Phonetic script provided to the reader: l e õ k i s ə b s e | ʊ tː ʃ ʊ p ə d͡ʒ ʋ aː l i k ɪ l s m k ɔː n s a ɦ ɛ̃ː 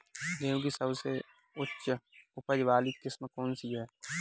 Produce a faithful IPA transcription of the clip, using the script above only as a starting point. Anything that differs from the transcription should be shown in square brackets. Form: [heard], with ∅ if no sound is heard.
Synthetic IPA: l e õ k i s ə b s e | ʊ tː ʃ ʊ p ə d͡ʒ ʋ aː l i k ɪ [∅] s m k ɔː n s [i] ɦ [ɛː]